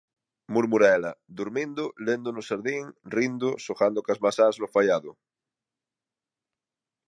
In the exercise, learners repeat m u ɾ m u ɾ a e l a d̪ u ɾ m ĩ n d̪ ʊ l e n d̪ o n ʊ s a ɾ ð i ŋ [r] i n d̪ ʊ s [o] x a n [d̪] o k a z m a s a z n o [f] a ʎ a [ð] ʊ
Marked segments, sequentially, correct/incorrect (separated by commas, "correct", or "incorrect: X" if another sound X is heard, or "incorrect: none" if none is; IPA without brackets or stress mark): correct, correct, correct, correct, correct